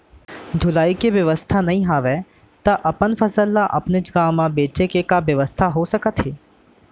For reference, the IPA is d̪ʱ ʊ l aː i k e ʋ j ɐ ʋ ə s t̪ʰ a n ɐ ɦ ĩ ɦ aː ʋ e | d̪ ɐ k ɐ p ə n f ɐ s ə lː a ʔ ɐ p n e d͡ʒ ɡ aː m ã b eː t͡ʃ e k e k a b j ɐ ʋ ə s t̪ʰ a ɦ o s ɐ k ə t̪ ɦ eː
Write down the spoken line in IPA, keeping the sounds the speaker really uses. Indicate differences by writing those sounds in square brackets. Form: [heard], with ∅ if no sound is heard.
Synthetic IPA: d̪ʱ ʊ l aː i k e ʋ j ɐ ʋ ə s t̪ʰ a n ɐ ɦ ĩ ɦ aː ʋ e | [t̪] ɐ [ʔ] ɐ p ə n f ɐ s ə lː a ʔ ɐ p n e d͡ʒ ɡ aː m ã b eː t͡ʃ e k e k a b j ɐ ʋ ə s t̪ʰ a ɦ o s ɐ k ə t̪ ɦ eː

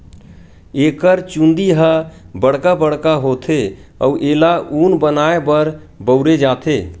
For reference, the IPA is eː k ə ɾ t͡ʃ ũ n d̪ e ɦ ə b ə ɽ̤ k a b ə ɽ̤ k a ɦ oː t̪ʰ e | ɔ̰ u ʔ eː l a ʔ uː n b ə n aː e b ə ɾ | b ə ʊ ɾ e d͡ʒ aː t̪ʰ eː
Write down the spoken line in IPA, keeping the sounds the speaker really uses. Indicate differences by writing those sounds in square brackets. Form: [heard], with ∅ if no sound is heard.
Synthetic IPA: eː k ə ɾ t͡ʃ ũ n d̪ [i] ɦ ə b ə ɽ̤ k a b ə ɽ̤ k a ɦ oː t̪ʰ e | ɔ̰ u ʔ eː l a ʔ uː n b ə n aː e b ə ɾ | b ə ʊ ɾ e d͡ʒ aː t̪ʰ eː

